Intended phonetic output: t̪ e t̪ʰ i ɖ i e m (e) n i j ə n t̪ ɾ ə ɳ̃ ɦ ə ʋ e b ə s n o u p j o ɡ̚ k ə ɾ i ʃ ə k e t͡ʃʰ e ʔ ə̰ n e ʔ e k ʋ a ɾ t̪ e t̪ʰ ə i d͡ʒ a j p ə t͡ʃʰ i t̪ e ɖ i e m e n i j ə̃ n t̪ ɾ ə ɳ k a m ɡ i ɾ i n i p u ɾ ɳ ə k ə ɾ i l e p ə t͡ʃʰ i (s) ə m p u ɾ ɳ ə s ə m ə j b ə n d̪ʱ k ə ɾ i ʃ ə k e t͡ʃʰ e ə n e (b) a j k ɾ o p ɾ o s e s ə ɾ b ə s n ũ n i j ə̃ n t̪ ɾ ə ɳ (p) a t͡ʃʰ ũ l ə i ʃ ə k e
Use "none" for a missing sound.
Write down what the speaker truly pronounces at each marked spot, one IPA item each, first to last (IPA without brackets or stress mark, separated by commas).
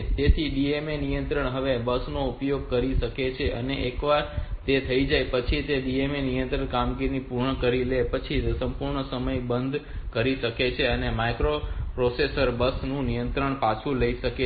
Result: e, s, m, p